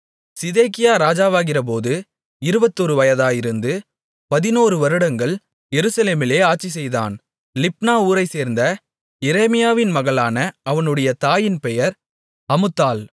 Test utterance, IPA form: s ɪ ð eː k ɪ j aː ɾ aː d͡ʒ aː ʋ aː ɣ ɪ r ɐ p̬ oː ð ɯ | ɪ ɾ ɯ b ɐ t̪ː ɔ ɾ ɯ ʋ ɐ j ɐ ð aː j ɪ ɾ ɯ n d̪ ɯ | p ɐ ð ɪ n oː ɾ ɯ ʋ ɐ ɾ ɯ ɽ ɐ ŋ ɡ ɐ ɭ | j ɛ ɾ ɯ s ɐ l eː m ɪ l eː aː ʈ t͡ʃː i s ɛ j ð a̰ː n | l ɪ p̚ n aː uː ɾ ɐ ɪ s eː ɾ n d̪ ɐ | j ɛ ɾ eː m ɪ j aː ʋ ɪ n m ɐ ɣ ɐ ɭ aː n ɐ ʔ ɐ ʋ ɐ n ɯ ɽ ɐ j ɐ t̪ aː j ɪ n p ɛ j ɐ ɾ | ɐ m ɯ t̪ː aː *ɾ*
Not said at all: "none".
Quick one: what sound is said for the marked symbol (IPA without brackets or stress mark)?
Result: l